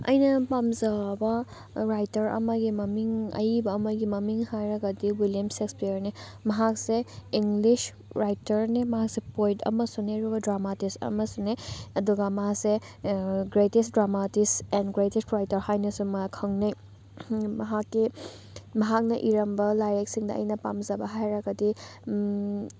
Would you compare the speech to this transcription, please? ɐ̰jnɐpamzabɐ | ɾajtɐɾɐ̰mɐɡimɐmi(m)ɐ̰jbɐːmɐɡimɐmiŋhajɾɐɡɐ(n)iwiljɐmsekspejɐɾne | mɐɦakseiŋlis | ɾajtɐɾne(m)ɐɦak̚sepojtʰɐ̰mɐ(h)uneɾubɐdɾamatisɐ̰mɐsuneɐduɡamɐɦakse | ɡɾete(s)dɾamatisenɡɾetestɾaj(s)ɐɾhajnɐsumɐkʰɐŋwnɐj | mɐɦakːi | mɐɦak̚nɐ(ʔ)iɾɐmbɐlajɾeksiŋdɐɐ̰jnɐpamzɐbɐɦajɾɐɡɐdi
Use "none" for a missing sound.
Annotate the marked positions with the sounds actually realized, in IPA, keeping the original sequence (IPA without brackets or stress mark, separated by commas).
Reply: ŋ, d, m, s, s, t, ʔ